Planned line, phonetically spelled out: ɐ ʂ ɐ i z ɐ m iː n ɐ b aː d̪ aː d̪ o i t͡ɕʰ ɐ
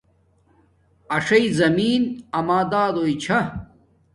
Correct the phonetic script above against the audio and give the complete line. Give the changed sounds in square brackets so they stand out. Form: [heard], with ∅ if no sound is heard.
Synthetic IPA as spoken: ɐ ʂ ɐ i z ɐ m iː n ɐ [m] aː d̪ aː d̪ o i t͡ɕʰ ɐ